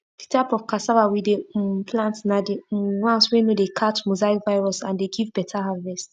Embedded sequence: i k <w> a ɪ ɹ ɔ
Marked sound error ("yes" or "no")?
yes